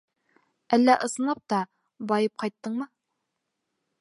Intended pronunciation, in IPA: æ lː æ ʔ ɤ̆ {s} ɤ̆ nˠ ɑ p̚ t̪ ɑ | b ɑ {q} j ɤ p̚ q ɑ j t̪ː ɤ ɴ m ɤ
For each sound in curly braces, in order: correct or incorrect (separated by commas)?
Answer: correct, incorrect